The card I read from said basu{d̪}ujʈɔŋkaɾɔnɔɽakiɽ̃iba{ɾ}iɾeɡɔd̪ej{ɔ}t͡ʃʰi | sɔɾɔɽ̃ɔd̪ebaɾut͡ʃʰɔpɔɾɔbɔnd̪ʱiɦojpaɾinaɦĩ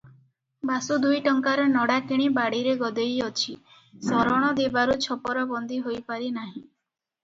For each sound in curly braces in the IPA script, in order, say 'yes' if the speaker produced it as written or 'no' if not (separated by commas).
yes, no, yes